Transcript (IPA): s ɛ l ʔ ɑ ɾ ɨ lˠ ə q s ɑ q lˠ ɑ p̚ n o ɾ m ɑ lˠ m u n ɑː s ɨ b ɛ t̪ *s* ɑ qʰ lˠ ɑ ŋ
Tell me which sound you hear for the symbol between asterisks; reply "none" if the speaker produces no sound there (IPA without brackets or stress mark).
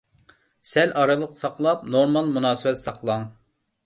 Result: s